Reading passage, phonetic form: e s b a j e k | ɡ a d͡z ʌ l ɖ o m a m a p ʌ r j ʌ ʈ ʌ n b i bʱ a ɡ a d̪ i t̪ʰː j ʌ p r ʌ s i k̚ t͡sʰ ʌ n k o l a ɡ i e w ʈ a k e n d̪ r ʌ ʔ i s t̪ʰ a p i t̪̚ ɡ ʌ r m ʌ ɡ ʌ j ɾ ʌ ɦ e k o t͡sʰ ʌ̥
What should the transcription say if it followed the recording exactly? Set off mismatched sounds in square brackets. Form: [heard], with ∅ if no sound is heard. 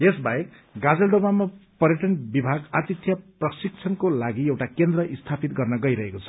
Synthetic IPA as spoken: e s b a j e k | ɡ a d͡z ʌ l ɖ o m a m a p ʌ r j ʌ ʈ ʌ n b i bʱ a ɡ a [t̪] i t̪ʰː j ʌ p r ʌ s i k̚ t͡sʰ ʌ n k o l a ɡ i e w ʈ a k e n d̪ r ʌ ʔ i s t̪ʰ a p i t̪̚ ɡ ʌ r [n] ʌ ɡ ʌ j ɾ ʌ ɦ e k o t͡sʰ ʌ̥